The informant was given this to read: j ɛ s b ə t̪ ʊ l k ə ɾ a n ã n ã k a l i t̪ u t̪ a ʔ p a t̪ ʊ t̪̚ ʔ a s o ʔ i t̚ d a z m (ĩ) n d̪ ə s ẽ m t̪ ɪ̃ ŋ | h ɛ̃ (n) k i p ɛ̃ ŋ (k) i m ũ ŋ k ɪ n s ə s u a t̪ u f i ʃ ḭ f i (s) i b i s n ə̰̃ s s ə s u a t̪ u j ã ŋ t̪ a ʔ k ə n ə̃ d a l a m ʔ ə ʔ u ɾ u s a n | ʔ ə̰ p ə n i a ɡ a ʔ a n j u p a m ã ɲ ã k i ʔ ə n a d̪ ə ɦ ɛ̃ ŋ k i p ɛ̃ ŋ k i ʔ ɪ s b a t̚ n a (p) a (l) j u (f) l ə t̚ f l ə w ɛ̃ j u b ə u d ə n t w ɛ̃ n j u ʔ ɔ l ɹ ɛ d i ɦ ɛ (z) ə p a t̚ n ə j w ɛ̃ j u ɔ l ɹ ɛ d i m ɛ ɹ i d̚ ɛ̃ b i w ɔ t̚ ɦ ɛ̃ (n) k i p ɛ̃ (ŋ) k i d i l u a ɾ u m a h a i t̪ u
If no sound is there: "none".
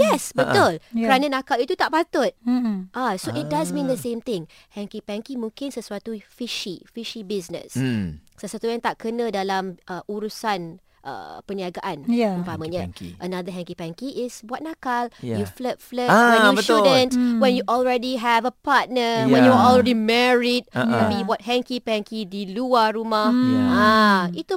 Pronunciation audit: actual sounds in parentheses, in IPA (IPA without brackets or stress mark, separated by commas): ĩ, ŋ, k, ʃ, k, l, f, v, ŋ, ŋ